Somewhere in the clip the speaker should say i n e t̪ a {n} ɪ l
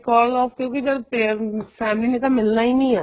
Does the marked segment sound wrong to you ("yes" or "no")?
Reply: yes